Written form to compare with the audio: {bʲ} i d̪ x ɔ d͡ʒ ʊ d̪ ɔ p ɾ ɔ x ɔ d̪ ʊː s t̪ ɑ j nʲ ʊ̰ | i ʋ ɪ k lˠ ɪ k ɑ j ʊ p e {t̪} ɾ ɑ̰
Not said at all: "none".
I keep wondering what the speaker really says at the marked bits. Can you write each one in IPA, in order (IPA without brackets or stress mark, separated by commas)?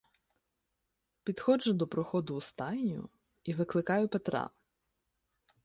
pʲ, t̪